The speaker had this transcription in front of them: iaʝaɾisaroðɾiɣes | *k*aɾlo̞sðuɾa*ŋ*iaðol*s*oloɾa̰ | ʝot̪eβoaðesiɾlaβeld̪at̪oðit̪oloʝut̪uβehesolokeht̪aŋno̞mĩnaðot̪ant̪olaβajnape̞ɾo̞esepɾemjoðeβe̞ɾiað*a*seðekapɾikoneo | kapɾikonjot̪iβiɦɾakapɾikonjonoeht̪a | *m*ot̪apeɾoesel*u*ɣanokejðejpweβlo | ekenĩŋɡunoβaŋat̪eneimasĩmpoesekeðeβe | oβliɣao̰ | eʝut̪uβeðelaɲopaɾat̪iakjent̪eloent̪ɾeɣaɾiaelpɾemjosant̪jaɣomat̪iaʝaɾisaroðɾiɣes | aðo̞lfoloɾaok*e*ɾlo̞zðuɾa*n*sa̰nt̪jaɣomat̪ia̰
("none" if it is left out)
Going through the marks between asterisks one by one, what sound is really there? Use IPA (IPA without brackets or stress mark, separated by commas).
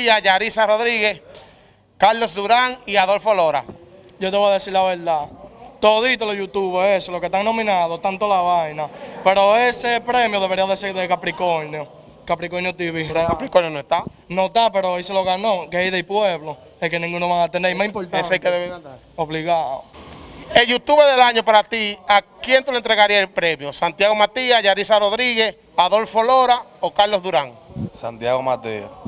k, ŋ, f, e, n, o, a, ŋ